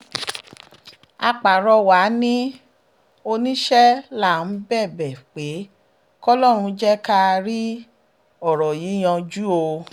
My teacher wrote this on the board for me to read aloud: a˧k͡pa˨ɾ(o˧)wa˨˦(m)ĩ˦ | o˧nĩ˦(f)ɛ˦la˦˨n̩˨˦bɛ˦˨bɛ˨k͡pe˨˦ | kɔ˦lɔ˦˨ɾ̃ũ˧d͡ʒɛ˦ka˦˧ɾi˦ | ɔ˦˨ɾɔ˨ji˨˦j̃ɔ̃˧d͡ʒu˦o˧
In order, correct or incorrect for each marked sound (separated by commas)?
incorrect, incorrect, incorrect